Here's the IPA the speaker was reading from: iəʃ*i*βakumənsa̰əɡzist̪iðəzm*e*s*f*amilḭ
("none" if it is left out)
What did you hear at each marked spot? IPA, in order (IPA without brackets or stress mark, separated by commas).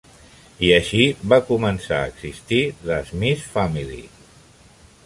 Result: i, i, f